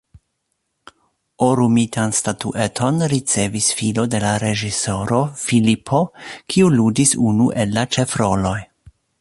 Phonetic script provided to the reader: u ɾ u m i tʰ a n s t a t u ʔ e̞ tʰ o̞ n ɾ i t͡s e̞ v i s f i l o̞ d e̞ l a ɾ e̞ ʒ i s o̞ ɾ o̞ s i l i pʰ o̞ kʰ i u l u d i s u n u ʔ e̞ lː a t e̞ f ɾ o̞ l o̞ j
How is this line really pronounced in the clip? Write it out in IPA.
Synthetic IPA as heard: o ɾ u m i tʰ a n s t a t u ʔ e̞ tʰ o̞ n ɾ i t͡s e̞ v i s f i l o̞ d e̞ l a ɾ e̞ ʒ i s o̞ ɾ o̞ f i l i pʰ o̞ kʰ i u l u d i s u n u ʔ e̞ lː a t͡ʃ e̞ f ɾ o̞ l o̞ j